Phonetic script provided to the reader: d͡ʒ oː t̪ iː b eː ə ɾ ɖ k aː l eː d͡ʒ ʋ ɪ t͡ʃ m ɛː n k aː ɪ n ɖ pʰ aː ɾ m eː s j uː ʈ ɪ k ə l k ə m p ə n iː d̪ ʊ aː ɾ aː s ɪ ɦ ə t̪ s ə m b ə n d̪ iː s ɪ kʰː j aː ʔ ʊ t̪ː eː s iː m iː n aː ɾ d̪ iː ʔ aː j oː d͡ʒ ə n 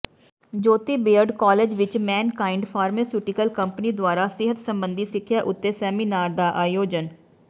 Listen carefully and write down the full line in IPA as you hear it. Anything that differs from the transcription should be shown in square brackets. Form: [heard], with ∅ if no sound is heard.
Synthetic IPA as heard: d͡ʒ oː t̪ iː b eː ə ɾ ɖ k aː l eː d͡ʒ ʋ ɪ t͡ʃ m ɛː n k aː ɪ [ɳ] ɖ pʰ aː ɾ m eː s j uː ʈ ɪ k ə l k ə m p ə n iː d̪ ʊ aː ɾ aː s ɪ ɦ ə t̪ s ə m b ə n d̪ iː s ɪ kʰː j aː ʔ ʊ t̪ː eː s [ɛː] m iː n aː ɾ d̪ [aː] ʔ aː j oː d͡ʒ ə n